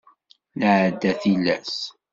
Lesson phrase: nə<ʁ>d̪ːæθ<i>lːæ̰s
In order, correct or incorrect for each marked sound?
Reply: incorrect: ʕ, correct

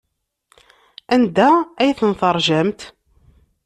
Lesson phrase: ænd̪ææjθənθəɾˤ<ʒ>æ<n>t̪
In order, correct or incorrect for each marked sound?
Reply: correct, incorrect: m

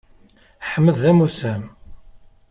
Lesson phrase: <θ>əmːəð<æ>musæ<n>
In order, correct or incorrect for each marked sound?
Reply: incorrect: ħ, correct, incorrect: m

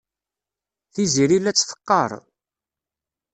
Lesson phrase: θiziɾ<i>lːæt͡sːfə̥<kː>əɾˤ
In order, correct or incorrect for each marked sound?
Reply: correct, incorrect: qː

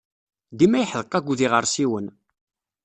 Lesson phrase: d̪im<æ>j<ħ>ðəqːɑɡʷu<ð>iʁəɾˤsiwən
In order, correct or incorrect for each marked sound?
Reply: correct, correct, correct

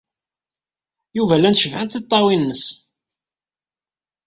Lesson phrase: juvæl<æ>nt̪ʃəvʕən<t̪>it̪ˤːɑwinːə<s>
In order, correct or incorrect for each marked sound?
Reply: correct, correct, correct

